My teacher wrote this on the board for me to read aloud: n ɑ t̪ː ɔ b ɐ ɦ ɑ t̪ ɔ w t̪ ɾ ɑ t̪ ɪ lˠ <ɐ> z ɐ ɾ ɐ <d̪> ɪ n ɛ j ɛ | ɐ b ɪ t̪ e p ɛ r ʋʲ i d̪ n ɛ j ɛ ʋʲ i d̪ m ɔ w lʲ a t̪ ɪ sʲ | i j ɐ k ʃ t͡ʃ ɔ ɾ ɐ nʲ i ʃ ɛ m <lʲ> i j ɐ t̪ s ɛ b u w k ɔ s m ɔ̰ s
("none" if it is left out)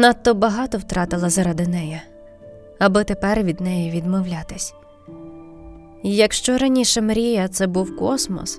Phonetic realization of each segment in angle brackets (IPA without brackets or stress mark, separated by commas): ɐ, d̪, ɾʲ